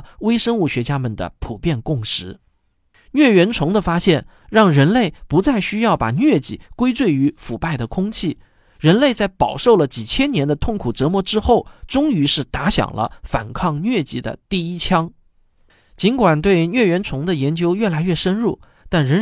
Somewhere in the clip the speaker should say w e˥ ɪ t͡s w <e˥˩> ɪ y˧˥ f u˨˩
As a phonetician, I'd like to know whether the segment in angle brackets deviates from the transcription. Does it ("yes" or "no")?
no